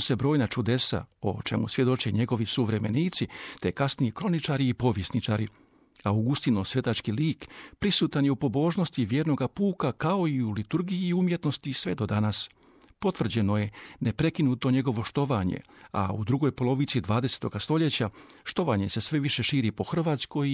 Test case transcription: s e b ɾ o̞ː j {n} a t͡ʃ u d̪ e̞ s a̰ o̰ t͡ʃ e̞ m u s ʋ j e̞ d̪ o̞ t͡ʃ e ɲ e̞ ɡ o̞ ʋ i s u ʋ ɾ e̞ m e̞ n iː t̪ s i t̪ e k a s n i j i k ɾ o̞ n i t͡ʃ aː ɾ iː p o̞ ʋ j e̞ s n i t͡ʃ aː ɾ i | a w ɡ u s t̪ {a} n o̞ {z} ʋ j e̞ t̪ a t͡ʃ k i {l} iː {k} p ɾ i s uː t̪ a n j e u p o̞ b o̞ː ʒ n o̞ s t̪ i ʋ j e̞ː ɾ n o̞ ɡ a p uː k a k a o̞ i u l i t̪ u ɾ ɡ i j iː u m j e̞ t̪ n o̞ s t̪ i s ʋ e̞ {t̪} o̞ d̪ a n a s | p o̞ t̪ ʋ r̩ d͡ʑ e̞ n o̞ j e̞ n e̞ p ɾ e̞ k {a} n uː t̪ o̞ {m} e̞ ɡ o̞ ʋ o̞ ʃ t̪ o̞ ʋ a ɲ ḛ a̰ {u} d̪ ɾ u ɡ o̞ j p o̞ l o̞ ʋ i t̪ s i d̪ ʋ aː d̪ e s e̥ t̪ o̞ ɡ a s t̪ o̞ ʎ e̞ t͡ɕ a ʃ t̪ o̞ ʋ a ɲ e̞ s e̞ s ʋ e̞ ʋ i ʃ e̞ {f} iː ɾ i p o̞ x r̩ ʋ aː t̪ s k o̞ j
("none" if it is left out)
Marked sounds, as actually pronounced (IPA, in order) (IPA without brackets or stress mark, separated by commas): n, i, s, l, k, d̪, i, ɲ, u, ʃ